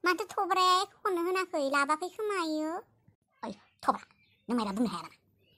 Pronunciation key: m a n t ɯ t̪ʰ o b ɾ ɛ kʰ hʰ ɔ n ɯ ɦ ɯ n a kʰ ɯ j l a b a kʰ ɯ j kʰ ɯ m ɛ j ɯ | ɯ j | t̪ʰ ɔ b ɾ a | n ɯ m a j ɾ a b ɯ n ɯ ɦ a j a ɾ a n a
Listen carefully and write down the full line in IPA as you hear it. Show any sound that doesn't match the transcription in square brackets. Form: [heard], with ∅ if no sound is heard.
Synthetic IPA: m a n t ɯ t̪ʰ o b ɾ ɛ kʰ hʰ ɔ n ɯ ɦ ɯ n a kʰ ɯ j l a b a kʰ ɯ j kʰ ɯ m [a] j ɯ | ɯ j | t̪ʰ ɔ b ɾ a | n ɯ m a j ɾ a b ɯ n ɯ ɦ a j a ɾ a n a